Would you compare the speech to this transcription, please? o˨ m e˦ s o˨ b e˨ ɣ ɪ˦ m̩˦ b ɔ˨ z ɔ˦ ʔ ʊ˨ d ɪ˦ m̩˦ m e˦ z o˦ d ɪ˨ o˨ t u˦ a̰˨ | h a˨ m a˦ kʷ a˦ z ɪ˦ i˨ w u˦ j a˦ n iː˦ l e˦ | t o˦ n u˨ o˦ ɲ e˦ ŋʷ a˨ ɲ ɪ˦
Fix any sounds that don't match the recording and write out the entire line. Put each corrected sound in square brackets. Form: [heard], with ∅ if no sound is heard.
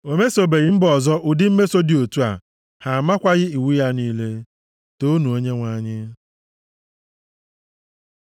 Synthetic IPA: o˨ m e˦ s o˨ b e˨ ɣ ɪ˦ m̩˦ b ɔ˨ z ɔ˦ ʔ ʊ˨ d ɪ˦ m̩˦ m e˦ [s] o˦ d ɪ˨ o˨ t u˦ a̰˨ | h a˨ m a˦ kʷ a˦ [ɣ] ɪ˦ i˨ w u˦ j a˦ n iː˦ l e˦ | t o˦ n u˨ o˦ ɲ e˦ ŋʷ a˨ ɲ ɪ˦